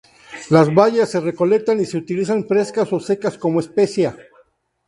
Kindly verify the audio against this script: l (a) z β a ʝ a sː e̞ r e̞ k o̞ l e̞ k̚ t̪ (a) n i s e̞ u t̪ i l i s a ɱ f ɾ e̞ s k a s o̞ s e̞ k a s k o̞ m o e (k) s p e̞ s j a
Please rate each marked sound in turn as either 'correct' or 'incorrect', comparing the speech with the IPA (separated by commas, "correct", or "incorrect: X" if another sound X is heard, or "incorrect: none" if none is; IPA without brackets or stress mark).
correct, correct, incorrect: none